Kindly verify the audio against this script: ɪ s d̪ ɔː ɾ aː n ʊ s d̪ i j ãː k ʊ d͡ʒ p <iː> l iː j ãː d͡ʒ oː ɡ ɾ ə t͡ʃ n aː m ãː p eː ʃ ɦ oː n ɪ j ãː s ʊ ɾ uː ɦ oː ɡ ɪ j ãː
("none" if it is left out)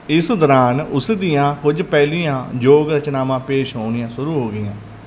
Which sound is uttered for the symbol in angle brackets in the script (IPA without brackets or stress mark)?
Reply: ɛː